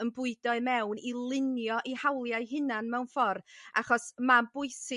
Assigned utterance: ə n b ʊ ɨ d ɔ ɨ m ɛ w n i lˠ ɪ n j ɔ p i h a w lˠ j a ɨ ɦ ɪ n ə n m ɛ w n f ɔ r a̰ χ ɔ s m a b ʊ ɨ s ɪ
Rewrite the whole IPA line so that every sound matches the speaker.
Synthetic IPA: ə n b ʊ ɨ d ɔ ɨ m ɛ w n i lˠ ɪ n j ɔ ʔ i h a w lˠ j a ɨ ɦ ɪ n a n m ɛ w n f ɔ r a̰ χ ɔ s m a b ʊ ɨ s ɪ